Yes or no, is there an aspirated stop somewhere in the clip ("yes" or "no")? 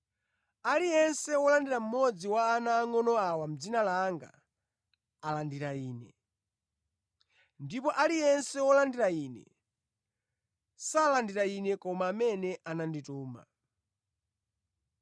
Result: no